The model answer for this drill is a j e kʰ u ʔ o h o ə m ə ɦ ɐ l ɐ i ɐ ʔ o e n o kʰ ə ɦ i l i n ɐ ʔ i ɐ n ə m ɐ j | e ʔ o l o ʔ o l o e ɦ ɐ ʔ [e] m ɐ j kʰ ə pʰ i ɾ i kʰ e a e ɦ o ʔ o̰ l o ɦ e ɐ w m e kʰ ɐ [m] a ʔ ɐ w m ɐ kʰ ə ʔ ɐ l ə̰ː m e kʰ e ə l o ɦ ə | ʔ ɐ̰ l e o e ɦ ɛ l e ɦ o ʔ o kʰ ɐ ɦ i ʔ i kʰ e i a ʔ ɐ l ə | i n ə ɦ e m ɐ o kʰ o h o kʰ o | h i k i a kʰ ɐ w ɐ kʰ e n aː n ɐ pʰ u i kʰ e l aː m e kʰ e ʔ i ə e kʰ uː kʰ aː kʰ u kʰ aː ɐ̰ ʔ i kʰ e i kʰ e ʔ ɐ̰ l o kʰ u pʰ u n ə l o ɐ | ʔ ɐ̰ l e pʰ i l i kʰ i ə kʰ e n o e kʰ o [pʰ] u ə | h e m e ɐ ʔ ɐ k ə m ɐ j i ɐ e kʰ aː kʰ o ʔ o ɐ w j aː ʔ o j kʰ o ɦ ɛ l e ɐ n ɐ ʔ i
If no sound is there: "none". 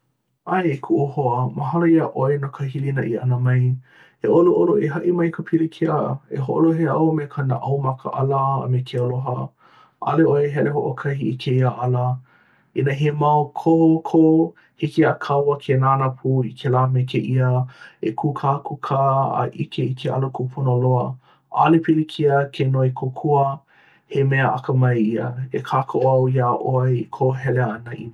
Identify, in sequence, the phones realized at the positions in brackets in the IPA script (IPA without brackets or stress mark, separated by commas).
i, n, kʰ